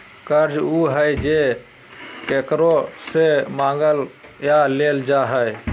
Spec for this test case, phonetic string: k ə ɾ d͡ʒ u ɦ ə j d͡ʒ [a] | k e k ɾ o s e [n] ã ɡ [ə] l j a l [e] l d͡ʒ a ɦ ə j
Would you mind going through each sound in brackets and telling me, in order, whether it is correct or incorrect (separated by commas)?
incorrect, incorrect, correct, correct